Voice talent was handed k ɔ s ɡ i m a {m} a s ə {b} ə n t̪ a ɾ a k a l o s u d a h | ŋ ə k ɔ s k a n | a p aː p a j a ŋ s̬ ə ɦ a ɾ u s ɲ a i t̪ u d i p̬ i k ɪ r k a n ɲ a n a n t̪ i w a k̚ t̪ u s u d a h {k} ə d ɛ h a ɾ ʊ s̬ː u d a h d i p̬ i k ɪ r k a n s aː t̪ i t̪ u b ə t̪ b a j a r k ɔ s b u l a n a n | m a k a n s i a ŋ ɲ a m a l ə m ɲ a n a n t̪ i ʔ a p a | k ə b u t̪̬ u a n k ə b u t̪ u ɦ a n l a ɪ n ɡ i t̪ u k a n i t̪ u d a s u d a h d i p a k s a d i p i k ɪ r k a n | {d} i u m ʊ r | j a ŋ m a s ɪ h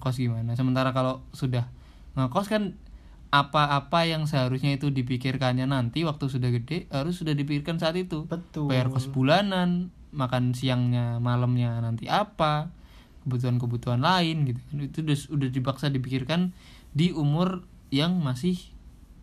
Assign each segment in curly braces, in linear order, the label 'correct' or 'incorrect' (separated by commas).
incorrect, incorrect, incorrect, correct